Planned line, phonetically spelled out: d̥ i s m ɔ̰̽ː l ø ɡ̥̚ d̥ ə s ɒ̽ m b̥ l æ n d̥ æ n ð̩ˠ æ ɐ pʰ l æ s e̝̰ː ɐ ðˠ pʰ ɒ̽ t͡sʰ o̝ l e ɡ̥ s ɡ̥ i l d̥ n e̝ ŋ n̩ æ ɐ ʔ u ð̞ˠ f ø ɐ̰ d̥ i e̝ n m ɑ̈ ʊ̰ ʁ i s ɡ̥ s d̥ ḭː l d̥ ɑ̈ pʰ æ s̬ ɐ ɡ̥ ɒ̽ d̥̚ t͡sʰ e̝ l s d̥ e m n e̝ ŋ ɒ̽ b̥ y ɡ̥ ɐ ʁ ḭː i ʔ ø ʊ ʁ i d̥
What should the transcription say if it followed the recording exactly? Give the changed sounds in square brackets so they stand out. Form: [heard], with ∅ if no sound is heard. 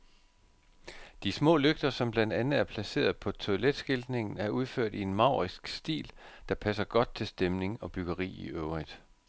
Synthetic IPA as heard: d̥ i s m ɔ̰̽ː l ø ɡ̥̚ d̥ [ɐ] s ɒ̽ m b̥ l æ n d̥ æ n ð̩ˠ æ ɐ pʰ l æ s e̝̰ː ɐ ðˠ pʰ ɒ̽ t͡sʰ o̝ l e [d̥] s ɡ̥ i l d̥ n e̝ ŋ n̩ æ ɐ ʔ u ð̞ˠ f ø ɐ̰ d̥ i e̝ n m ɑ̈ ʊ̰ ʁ i s ɡ̥ s d̥ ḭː l d̥ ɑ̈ pʰ æ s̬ ɐ ɡ̥ ɒ̽ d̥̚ t͡sʰ e̝ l s d̥ e m n e̝ ŋ ɒ̽ b̥ y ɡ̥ ɐ ʁ ḭː i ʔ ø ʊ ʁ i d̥